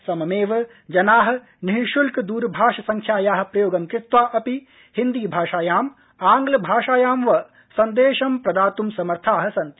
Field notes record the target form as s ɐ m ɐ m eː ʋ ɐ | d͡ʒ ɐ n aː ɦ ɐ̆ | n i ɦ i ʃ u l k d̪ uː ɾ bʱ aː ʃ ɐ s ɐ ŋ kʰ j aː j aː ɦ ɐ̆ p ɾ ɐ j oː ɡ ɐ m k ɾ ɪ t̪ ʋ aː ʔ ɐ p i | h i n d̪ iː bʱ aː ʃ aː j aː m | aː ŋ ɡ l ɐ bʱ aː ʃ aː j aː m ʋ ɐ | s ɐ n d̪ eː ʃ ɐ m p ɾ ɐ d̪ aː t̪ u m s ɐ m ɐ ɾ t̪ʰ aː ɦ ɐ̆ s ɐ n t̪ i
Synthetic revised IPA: s ɐ m ɐ m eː ʋ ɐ | d͡ʒ ɐ n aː ɦ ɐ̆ | n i ɦ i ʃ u l k d̪ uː ɾ bʱ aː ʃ ɐ s ɐ ŋ kʰ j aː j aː ɦ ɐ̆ p ɾ ɐ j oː ɡ ɐ m k ɾ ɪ t̪ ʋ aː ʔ ɐ p i | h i n d̪ iː bʱ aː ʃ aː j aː m | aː ŋ ɡ l ɐ bʱ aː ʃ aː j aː m ʋ ɐ | s ɐ n d̪ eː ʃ ɐ m p ɾ ɐ d̪ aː t̪ u m s ɐ m ɐ ɾ t̪ʰ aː ɦ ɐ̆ s ɐ n t̪ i